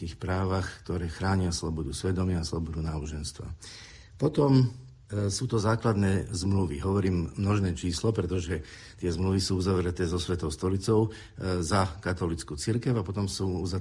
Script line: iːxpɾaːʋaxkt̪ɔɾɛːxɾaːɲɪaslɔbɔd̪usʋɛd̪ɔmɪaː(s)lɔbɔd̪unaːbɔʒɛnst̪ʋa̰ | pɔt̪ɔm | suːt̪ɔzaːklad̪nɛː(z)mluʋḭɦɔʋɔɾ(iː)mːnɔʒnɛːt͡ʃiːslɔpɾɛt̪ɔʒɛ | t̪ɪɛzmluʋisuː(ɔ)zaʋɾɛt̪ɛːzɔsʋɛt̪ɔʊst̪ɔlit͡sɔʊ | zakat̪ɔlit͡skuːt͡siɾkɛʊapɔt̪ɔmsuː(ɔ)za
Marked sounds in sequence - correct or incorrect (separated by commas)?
correct, correct, correct, incorrect, incorrect